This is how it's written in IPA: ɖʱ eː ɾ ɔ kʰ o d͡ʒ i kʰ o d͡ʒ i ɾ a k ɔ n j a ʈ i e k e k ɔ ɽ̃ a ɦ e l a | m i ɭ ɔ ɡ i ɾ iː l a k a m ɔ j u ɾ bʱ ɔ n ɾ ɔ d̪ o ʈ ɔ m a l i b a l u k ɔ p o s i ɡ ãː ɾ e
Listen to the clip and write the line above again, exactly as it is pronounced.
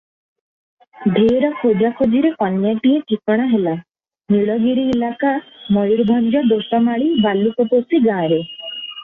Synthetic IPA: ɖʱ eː ɾ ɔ kʰ o d͡ʒ a kʰ o d͡ʒ i ɾ e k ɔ n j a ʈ i e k i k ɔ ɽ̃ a ɦ e l a | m i ɭ ɔ ɡ i ɾ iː l a k a m ɔ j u ɾ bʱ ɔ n ɾ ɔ d̪ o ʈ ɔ m a ɭ i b a l u k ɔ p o s i ɡ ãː ɾ e